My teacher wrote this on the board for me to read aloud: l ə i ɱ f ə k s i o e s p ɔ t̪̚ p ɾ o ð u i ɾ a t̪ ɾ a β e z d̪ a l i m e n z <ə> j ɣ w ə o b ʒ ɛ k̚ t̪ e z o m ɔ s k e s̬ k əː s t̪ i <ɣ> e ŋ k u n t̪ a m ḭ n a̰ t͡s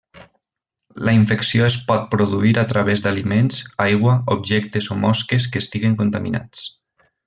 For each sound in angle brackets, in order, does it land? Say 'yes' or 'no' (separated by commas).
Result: no, yes